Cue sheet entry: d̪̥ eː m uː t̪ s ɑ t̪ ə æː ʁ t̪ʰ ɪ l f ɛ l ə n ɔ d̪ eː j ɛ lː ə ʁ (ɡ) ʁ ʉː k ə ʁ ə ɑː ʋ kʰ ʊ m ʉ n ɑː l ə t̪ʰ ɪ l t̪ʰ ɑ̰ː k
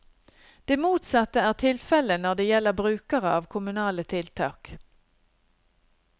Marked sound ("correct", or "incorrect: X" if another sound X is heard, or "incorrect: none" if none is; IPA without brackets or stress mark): incorrect: b